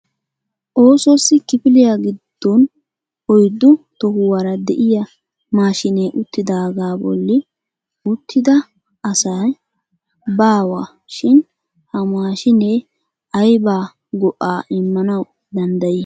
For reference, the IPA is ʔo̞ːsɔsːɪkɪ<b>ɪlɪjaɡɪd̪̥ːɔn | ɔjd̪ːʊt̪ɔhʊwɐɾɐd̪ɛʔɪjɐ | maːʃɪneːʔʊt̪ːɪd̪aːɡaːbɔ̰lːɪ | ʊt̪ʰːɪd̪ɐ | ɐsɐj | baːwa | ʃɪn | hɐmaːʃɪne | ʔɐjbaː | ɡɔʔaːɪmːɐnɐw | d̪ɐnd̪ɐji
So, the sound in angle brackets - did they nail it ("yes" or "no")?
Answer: no